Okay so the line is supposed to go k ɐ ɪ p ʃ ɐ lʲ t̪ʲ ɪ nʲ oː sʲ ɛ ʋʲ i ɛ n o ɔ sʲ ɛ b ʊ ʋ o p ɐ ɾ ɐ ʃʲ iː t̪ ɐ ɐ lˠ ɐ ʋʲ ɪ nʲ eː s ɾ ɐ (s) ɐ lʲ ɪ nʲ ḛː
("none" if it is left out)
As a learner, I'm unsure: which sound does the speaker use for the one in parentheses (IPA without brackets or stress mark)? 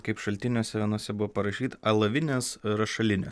ʃ